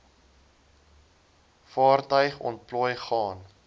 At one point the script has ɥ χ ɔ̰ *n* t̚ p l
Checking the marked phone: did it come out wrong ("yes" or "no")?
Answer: no